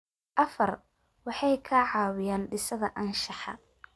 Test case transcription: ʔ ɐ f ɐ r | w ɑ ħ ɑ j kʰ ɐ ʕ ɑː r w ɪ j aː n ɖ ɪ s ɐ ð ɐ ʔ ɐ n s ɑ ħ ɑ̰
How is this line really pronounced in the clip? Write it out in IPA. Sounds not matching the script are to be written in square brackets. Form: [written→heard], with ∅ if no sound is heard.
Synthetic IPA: ʔ ɐ f ɐ r | w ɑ ħ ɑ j kʰ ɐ ʕ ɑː [r→∅] w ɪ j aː n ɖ ɪ s ɐ ð ɐ ʔ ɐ n [s→ʃ] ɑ ħ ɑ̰